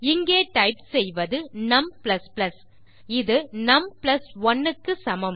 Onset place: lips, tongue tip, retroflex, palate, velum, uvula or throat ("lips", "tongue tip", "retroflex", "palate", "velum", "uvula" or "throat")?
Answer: velum